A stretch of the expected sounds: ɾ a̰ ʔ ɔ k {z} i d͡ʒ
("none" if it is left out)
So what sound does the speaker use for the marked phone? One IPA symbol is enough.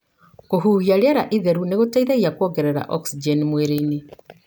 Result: s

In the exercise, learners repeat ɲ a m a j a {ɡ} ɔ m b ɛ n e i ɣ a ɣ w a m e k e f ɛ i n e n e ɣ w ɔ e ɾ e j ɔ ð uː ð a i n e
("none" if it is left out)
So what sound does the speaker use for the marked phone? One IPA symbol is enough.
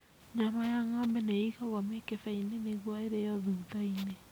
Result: ŋ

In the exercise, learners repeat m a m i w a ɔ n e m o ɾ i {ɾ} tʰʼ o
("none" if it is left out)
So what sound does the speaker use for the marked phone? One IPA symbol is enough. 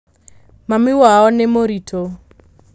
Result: none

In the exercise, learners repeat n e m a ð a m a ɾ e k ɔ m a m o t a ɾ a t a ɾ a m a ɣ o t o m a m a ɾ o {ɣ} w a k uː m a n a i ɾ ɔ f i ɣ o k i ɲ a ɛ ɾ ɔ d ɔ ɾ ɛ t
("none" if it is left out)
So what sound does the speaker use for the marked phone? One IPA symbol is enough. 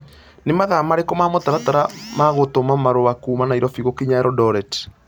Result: none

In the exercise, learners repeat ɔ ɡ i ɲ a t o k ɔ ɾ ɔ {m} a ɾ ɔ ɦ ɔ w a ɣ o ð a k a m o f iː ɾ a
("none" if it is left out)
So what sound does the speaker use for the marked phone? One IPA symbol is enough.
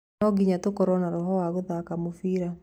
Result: n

